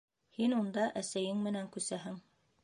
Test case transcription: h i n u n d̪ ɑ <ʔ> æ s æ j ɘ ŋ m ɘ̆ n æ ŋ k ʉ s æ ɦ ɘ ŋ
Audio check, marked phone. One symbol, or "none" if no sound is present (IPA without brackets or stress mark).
ʔ